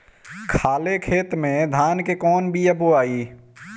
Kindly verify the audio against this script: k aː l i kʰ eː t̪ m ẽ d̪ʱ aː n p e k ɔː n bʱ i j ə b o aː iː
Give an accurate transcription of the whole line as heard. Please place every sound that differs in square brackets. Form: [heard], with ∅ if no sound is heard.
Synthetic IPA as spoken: [kʰ] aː l [e] kʰ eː t̪ m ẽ d̪ʱ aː n [k] e k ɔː n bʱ i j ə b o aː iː